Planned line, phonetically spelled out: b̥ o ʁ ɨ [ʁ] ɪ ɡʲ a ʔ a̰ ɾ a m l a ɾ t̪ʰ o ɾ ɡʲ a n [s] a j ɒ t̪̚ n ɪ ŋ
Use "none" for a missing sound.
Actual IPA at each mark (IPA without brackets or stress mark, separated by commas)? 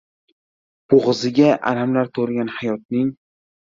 z, h